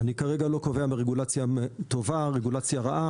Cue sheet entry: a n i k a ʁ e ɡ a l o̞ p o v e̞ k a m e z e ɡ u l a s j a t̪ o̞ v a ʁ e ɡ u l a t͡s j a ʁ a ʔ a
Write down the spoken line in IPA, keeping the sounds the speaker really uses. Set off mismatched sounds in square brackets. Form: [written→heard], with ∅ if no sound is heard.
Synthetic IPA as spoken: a n i k a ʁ e ɡ a l o̞ [p→k] o v e̞ [k→∅] a m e [z→ʁ] e ɡ u l a [s→t͡s] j a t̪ o̞ v a ʁ e ɡ u l a t͡s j a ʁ a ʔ a